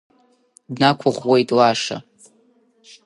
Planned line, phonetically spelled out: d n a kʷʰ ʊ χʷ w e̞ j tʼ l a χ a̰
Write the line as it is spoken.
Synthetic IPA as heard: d n a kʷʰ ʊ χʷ w e̞ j tʼ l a ʂ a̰